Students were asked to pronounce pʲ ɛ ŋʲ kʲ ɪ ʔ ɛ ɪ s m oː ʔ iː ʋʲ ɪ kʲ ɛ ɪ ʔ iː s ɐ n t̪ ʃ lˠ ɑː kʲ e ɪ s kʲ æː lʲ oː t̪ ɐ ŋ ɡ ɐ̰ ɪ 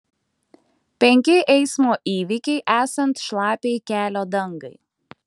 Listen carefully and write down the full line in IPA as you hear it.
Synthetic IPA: pʲ ɛ ŋʲ kʲ ɪ ʔ ɛ ɪ s m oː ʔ iː ʋʲ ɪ kʲ ɛ ɪ ʔ æː s ɐ n t̪ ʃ lˠ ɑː pʲ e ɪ kʲ æː lʲ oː d̪ ɐ ŋ ɡ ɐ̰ ɪ